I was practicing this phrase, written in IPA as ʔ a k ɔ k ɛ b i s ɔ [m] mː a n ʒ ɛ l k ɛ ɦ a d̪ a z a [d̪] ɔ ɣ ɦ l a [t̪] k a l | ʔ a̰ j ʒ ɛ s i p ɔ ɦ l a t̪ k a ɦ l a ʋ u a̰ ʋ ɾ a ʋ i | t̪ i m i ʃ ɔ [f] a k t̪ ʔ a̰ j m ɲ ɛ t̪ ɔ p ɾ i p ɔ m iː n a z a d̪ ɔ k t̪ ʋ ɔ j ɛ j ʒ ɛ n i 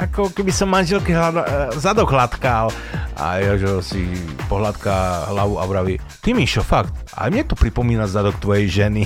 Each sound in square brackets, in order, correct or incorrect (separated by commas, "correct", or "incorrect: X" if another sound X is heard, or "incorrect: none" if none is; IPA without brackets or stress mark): correct, correct, correct, correct